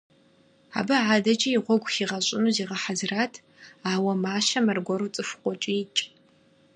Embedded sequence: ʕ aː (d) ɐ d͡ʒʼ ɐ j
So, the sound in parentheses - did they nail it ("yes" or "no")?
yes